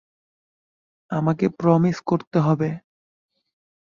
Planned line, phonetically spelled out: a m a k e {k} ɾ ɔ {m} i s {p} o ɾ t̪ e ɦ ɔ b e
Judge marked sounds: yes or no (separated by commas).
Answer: no, yes, no